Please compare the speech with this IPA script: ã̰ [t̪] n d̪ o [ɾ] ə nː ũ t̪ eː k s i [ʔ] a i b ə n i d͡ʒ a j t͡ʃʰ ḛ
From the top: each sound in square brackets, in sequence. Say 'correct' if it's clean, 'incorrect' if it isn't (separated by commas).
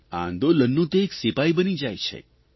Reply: incorrect, incorrect, incorrect